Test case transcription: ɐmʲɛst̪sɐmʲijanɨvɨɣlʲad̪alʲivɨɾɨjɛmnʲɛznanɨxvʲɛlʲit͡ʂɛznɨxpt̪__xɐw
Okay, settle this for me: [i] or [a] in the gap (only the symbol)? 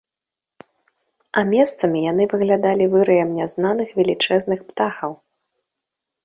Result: a